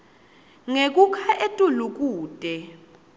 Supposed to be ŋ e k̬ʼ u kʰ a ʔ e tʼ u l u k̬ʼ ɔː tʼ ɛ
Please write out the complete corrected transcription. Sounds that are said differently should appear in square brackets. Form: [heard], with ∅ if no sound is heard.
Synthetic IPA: ŋ e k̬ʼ u kʰ a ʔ e tʼ u l u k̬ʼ [uː] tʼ ɛ